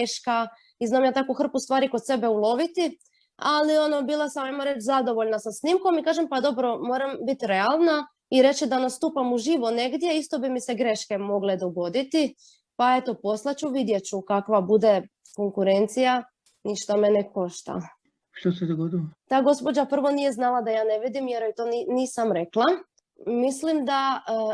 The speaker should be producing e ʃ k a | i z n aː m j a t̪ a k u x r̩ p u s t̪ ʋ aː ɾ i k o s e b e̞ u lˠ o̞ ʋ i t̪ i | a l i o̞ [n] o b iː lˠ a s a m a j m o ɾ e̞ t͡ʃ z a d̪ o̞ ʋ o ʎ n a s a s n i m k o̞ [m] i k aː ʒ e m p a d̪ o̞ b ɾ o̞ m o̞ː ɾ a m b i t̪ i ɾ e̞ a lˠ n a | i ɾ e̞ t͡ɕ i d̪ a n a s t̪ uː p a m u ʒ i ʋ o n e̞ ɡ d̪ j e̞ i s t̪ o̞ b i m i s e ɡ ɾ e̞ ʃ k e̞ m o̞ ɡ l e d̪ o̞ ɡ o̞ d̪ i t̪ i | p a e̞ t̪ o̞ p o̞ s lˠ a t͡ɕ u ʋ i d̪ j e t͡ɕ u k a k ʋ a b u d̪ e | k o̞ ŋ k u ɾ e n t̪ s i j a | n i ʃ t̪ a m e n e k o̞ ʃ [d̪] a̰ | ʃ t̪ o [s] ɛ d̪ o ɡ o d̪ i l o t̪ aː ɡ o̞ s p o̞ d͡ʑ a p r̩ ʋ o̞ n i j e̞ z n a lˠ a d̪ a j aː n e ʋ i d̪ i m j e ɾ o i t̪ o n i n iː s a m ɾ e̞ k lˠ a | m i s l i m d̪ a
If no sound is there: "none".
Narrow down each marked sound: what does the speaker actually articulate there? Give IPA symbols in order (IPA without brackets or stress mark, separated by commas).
n, m, t̪, s